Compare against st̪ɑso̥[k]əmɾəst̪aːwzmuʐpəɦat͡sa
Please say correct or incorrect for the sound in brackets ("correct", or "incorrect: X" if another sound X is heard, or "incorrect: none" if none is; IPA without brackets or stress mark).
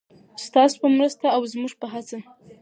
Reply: incorrect: p